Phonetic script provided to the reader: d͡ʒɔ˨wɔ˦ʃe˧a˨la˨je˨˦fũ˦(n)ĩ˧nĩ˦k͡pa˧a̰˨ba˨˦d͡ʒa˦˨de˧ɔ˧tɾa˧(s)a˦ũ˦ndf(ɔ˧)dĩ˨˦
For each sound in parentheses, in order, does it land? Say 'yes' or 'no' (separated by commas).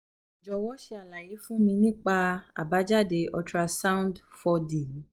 no, yes, yes